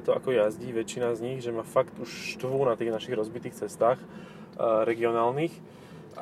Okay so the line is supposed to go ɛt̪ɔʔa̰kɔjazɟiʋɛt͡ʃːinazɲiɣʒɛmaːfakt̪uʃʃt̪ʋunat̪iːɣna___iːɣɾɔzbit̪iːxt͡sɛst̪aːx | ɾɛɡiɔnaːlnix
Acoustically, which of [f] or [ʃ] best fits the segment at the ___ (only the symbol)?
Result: ʃ